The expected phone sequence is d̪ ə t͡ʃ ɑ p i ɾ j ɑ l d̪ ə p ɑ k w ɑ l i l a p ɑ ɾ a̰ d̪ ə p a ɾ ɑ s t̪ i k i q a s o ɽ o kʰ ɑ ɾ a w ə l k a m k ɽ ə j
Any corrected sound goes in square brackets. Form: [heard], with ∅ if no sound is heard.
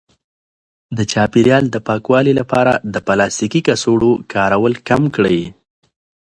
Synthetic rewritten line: d̪ ə t͡ʃ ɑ p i ɾ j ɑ l d̪ ə p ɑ k w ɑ l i l a p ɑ ɾ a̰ d̪ ə p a [l] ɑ s t̪ i k i [k] a s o ɽ o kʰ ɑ ɾ a w ə l k a m k ɽ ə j